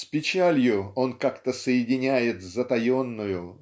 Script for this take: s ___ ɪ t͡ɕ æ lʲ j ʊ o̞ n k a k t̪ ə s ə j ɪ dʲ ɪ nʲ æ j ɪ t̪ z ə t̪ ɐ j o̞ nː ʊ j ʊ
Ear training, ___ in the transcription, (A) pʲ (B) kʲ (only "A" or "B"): A